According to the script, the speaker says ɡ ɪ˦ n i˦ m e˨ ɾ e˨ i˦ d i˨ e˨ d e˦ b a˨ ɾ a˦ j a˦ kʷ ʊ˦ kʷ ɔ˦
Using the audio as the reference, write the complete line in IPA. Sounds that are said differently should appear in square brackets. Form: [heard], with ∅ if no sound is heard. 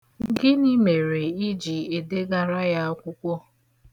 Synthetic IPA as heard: ɡ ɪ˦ n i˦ m e˨ ɾ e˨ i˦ [d͡ʒ] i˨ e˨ d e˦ [ɡ] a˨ ɾ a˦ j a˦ kʷ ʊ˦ kʷ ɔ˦